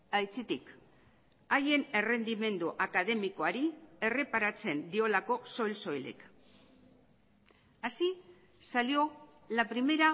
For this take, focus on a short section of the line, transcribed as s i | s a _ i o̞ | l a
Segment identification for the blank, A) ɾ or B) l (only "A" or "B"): B